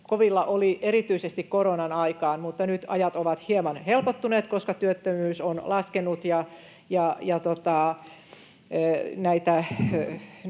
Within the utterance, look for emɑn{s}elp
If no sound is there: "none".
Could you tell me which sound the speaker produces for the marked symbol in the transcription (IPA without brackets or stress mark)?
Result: h